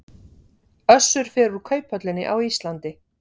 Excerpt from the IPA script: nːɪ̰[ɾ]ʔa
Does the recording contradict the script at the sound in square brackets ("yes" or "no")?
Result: yes